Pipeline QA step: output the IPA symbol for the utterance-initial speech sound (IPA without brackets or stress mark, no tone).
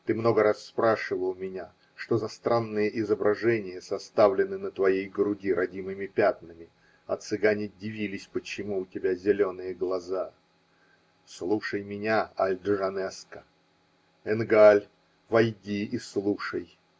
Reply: t̪